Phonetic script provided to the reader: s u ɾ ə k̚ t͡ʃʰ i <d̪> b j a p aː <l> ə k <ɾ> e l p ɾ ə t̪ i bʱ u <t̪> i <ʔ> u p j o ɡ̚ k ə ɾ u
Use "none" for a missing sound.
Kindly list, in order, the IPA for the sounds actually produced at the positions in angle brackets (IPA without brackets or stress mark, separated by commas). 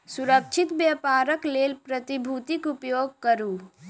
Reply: t̪, ɾ, l, t̪, k